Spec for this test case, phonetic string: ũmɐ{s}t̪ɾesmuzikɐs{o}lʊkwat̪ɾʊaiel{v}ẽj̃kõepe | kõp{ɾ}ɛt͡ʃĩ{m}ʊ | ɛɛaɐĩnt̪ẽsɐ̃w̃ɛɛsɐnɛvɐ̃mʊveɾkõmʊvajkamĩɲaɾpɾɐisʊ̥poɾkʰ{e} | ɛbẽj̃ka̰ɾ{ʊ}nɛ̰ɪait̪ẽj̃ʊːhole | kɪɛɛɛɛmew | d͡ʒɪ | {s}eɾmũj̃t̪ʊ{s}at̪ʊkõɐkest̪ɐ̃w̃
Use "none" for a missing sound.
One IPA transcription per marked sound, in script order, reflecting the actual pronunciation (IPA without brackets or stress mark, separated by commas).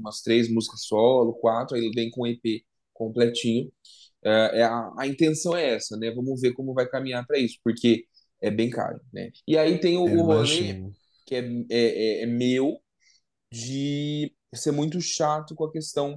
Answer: s, ɔ, v, l, ɲ, e, ʊ, s, ʃ